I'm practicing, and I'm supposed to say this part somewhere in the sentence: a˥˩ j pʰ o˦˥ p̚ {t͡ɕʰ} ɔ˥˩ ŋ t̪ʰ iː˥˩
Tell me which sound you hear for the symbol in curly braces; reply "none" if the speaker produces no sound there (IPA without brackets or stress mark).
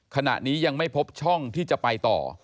t͡ɕʰ